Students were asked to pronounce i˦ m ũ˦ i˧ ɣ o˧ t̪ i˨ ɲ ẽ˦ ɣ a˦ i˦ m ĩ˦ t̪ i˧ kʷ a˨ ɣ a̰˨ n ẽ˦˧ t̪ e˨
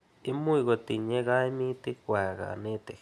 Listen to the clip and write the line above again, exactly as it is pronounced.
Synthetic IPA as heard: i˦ m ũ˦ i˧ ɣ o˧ t̪ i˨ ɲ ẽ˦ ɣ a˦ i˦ m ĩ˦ t̪ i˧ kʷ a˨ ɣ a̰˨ n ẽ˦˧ t̪ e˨